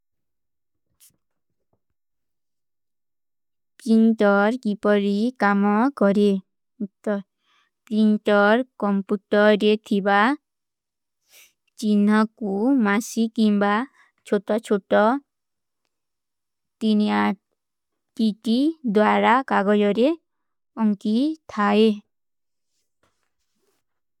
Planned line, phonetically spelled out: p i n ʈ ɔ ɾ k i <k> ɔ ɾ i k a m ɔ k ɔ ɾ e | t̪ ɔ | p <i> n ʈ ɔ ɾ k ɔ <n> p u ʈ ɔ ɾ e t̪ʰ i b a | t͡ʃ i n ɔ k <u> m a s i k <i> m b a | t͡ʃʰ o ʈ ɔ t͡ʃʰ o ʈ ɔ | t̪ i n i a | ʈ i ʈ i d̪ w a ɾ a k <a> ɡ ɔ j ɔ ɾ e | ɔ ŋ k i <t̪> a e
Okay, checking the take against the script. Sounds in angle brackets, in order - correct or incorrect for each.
incorrect: p, correct, incorrect: m, correct, correct, correct, incorrect: t̪ʰ

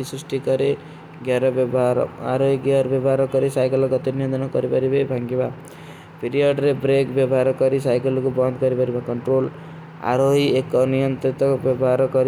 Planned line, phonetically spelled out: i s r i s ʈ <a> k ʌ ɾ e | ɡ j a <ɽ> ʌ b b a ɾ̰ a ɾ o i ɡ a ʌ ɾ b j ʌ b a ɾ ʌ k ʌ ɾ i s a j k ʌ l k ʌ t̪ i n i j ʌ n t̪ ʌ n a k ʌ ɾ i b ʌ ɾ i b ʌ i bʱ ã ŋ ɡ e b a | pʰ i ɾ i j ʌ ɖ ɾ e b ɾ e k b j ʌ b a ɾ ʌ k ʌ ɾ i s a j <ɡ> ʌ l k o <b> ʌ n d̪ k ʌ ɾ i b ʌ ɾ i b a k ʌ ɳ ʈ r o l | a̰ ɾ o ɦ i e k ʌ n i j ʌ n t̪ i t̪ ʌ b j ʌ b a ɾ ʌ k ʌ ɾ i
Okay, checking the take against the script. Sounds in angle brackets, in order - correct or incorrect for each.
incorrect: i, incorrect: ɾ, incorrect: k, correct

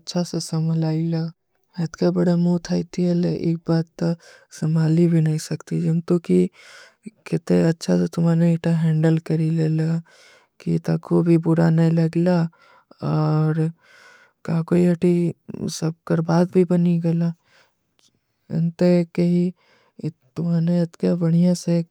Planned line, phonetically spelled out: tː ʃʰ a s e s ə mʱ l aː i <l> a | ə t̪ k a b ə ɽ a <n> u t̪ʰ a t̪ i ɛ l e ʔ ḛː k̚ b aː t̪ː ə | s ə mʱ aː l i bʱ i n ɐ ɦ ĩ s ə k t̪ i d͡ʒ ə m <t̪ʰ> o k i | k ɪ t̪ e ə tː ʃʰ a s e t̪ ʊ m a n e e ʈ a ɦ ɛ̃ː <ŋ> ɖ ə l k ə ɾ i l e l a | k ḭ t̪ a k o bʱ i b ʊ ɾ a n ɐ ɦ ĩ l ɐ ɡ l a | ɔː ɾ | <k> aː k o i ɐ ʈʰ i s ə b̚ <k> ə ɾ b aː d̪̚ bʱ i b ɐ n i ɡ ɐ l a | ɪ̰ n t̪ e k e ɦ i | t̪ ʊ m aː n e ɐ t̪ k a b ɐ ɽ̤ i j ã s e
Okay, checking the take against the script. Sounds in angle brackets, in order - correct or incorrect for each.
correct, incorrect: m, incorrect: t̪, incorrect: ɳ, correct, correct

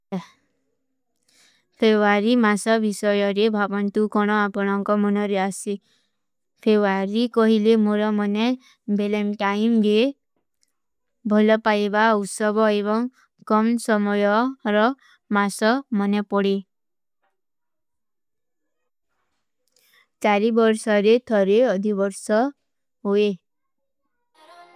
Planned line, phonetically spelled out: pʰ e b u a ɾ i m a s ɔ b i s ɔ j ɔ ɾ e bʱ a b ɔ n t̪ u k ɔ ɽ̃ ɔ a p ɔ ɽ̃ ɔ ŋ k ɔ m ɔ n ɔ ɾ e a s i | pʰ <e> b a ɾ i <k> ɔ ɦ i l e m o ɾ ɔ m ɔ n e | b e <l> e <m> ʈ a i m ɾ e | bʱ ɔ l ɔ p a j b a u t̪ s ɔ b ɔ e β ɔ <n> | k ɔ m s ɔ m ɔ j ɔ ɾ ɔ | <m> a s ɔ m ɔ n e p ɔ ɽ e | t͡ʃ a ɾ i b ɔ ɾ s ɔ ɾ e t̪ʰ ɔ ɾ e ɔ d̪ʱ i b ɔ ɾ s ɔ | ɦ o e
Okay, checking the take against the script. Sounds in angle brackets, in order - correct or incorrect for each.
correct, correct, correct, correct, incorrect: ŋ, correct

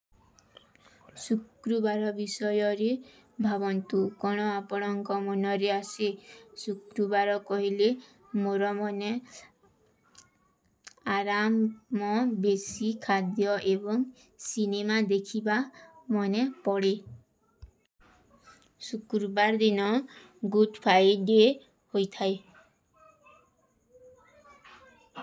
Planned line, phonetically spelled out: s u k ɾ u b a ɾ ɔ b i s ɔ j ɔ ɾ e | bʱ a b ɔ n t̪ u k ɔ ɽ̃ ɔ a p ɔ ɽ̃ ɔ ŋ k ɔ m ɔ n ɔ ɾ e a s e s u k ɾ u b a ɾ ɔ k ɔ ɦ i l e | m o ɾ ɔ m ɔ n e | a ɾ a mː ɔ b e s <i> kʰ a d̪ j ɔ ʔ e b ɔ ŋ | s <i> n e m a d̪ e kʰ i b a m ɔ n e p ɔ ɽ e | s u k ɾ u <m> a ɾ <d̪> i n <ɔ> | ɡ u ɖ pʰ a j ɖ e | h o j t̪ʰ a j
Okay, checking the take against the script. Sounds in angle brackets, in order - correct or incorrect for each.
correct, correct, incorrect: b, correct, correct

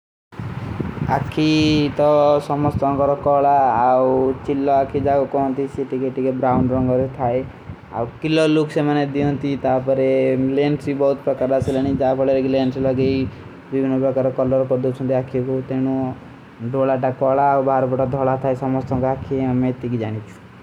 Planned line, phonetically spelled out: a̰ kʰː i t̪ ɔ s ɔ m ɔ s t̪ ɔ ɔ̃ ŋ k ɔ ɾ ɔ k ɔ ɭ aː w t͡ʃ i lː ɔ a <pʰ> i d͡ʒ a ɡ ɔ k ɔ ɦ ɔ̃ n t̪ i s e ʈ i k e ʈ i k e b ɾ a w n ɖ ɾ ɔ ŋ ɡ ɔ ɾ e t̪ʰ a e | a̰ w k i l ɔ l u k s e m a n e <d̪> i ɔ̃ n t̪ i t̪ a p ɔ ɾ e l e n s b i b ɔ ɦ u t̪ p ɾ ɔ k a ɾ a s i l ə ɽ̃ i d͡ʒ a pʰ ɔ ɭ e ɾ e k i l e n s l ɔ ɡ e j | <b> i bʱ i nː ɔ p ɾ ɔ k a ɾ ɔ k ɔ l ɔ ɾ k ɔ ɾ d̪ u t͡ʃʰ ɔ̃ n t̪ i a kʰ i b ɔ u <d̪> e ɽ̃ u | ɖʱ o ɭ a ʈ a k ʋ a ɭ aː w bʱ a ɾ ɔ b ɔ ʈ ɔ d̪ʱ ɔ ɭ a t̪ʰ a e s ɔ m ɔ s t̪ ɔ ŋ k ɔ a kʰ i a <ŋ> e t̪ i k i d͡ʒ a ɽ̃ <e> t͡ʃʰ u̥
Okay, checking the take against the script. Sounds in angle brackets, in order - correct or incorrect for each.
incorrect: kʰ, correct, correct, incorrect: t̪, incorrect: m, incorrect: i

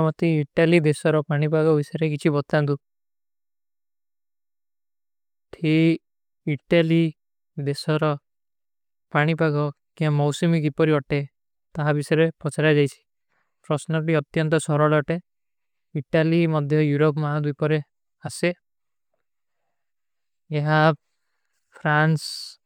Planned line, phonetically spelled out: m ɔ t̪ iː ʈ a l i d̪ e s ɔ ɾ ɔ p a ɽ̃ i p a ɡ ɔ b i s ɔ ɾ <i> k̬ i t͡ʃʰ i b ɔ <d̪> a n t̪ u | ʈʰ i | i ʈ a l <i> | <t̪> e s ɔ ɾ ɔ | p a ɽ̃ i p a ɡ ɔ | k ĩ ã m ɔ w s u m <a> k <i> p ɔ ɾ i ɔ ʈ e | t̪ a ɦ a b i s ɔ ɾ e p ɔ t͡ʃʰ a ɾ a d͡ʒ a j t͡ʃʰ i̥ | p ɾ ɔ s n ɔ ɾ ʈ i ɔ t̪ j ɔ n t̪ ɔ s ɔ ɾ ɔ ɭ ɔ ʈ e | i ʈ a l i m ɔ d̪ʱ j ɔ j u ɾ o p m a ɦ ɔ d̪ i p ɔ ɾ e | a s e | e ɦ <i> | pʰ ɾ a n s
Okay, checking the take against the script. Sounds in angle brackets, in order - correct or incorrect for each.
incorrect: e, incorrect: t̪, correct, incorrect: d̪, incorrect: i, correct, incorrect: a

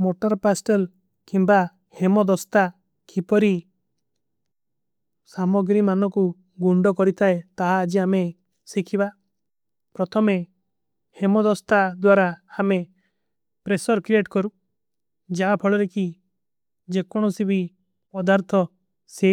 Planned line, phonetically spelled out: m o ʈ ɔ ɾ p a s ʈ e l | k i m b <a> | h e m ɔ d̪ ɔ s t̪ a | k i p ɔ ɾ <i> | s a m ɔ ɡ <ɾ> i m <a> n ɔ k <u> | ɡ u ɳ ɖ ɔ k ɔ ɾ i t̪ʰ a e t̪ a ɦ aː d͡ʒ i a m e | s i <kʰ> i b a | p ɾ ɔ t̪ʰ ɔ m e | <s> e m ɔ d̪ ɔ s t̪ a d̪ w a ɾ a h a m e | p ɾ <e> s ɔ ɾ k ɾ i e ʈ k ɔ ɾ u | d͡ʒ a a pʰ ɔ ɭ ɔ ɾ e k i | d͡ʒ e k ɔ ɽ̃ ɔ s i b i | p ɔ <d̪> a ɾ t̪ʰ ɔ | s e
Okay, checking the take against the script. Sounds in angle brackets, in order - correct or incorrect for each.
correct, correct, correct, correct, correct, correct, incorrect: h, correct, correct

